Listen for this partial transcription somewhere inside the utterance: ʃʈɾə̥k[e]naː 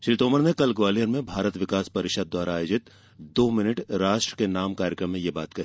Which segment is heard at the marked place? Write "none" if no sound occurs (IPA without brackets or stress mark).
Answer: e